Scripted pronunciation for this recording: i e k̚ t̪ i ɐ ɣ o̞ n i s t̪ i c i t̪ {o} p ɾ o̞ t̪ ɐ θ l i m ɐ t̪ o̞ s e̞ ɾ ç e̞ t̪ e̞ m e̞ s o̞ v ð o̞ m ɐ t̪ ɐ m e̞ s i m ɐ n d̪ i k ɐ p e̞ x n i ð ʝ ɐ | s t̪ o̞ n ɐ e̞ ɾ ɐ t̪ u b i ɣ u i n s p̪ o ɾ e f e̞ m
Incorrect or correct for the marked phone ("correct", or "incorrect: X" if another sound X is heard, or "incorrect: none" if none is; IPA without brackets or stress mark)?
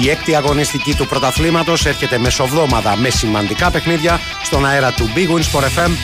incorrect: u